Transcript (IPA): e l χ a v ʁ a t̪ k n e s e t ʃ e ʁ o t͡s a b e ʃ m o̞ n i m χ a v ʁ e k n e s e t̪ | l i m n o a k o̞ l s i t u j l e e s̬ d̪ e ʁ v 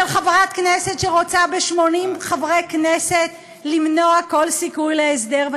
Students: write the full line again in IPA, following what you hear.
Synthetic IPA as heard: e l χ a v ʁ a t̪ k n e s e t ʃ e ʁ o t͡s a b e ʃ m o̞ n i m χ a v ʁ e k n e s e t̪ | l i m n o a k o̞ l s i k u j l e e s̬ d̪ e ʁ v